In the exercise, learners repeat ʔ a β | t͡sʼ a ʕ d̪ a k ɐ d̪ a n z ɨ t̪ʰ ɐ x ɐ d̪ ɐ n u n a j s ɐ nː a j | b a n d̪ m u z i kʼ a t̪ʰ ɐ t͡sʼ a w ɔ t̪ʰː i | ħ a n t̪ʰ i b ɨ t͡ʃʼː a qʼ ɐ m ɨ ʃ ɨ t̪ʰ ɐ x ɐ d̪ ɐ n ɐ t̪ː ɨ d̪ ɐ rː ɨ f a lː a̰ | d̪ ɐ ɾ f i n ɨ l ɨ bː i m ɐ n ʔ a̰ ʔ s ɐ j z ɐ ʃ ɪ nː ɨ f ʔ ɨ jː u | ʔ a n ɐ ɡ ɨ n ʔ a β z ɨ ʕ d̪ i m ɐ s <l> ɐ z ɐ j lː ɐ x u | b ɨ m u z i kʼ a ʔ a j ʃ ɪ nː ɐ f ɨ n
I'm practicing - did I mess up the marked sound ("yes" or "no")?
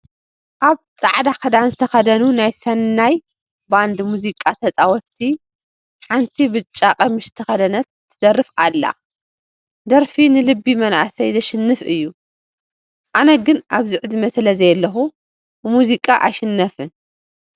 no